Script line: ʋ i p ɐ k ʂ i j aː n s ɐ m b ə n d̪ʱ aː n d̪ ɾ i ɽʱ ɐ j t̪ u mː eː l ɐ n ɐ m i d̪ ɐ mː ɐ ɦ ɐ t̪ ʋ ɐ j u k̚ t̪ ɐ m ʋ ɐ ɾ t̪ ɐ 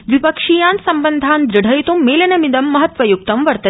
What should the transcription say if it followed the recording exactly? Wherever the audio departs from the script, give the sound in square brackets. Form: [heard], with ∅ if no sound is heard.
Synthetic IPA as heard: ʋ i p ɐ k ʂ i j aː n s ɐ m b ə n d̪ʱ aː n d̪ ɾ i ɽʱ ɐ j t̪ u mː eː l ɐ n ɐ m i d̪ ɐ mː ɐ ɦ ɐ t̪ ʋ ɐ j u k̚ t̪ ɐ m ʋ ɐ ɾ t̪ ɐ